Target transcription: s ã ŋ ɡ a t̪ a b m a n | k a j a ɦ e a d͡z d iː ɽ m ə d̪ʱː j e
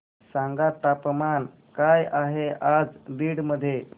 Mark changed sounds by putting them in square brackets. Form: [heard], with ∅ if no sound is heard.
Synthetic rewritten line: s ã ŋ ɡ a t̪ a [p] m a n | k a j a ɦ e a d͡z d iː ɽ m ə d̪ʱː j e